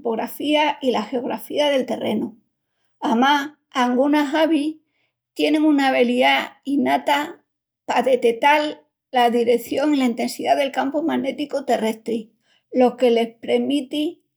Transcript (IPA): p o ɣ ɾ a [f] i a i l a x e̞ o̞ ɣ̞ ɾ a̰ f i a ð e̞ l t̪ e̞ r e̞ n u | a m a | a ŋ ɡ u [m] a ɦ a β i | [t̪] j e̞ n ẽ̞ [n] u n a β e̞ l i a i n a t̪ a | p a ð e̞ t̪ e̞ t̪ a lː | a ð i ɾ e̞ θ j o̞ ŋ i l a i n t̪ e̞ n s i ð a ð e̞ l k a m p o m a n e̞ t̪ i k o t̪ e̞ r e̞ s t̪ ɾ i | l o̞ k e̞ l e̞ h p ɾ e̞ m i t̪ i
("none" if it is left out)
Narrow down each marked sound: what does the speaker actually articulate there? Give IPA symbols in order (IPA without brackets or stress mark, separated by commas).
f, n, t̪, ŋ